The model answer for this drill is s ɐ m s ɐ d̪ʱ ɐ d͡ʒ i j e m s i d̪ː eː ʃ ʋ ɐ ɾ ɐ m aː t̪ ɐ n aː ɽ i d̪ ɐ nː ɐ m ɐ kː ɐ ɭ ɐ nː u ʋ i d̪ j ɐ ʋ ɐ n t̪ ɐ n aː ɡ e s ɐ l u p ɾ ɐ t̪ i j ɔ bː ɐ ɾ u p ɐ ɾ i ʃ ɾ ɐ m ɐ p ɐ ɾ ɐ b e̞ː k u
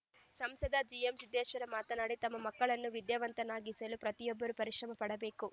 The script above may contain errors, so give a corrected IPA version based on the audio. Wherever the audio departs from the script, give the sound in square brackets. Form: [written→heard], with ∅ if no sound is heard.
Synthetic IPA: s ɐ m s ɐ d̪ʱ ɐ d͡ʒ i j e m s i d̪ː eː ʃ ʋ ɐ ɾ ɐ m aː t̪ ɐ n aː ɽ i [d̪→t̪] ɐ [nː→mː] ɐ m ɐ kː ɐ ɭ ɐ nː u ʋ i d̪ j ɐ ʋ ɐ n t̪ ɐ n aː ɡ [e→i] s ɐ l u p ɾ ɐ t̪ i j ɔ bː ɐ ɾ u p ɐ ɾ i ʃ ɾ ɐ m ɐ p ɐ [ɾ→ɽ] ɐ b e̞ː k u